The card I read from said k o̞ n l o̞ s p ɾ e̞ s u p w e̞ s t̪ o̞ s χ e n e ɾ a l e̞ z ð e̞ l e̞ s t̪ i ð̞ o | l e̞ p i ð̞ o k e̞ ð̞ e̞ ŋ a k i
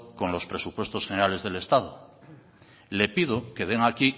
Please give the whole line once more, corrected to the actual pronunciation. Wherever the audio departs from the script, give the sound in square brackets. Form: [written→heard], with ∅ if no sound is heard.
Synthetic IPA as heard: k o̞ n l o̞ s p ɾ e̞ s u p w e̞ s t̪ o̞ s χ e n e ɾ a l e̞ z ð e̞ l e̞ s t̪ [i→a] ð̞ o | l e̞ p i ð̞ o k e̞ ð̞ e̞ ŋ a k i